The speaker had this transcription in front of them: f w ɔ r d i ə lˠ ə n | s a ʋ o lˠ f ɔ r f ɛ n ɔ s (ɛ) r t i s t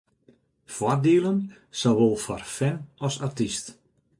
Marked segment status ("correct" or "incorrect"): incorrect